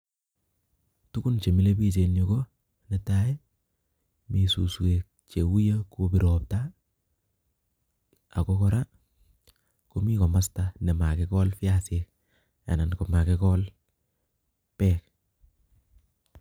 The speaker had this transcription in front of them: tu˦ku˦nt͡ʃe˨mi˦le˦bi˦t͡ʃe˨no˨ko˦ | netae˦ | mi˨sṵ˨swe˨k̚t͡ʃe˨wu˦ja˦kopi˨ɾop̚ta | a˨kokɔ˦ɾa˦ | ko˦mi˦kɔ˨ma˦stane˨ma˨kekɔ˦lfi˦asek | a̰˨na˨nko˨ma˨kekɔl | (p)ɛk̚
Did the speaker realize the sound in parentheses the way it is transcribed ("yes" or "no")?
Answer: yes